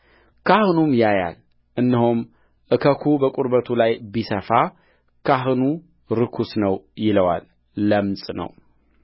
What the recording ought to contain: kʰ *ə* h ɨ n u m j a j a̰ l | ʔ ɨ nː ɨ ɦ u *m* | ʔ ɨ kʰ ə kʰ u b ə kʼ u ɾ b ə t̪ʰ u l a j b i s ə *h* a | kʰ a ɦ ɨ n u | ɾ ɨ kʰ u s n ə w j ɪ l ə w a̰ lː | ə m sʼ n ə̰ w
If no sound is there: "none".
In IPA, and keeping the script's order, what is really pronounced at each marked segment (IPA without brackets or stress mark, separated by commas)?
a, m, f